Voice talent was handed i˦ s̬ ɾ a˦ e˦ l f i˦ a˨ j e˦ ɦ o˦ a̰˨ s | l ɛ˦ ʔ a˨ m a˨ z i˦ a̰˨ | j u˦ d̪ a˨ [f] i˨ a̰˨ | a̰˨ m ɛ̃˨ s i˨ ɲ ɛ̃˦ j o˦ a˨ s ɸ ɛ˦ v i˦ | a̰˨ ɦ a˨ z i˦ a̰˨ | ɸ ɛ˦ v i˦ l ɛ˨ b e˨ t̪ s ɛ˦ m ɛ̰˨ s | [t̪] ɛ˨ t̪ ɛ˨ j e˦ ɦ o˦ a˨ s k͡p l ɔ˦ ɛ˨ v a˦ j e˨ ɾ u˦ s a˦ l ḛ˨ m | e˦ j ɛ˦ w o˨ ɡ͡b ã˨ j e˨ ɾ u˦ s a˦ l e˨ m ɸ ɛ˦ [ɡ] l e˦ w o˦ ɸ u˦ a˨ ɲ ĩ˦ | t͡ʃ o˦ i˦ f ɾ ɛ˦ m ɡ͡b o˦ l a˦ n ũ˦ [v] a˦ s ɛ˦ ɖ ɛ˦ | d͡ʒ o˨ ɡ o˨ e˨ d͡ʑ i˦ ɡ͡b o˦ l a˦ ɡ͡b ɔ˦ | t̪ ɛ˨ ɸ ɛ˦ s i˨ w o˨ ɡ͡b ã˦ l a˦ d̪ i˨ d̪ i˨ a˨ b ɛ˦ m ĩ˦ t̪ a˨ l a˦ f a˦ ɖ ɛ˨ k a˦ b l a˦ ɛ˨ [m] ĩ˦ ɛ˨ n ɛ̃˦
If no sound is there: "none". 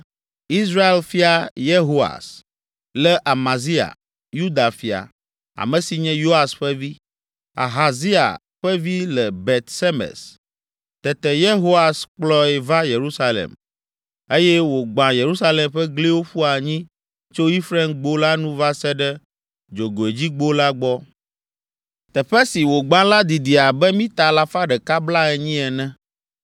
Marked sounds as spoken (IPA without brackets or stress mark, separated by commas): f, t̪, ɡ, v, ɲ